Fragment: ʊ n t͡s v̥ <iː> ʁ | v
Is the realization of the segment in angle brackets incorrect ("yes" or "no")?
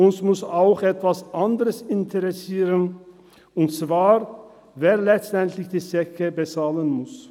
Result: yes